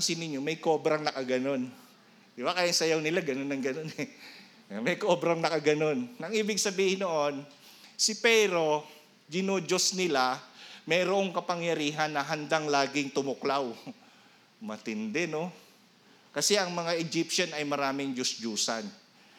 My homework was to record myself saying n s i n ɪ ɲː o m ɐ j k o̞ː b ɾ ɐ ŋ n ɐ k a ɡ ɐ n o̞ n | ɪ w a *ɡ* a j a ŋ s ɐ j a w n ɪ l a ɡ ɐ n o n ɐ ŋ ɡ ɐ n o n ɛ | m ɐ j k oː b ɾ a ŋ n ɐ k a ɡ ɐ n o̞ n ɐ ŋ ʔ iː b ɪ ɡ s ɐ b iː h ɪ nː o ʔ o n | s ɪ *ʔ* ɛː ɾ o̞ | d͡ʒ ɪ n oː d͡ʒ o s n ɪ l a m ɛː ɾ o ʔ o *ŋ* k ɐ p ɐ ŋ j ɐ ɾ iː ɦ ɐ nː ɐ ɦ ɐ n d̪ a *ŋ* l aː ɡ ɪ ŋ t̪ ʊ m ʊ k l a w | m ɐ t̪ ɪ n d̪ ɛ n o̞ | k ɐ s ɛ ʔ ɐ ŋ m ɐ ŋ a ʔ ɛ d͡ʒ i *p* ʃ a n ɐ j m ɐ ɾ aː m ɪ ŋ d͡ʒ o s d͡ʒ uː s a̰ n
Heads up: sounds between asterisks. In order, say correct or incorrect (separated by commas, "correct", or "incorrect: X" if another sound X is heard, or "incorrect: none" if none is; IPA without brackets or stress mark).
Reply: incorrect: k, incorrect: p, correct, correct, correct